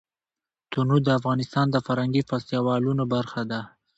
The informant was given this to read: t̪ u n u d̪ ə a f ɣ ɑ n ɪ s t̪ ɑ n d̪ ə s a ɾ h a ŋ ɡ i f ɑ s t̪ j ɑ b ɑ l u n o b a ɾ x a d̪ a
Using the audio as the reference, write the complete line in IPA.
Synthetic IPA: t̪ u n u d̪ ə a f ɣ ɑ n ɪ s t̪ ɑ n d̪ ə f a ɾ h a ŋ ɡ i f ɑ s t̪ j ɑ w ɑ l u n o b a ɾ x a d̪ a